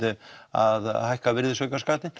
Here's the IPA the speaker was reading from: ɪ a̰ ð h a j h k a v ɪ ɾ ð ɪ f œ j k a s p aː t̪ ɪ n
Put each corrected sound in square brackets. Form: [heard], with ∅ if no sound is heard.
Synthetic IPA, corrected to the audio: ɪ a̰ ð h a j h k a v ɪ ɾ ð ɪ [s] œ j k a s [k] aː t̪ ɪ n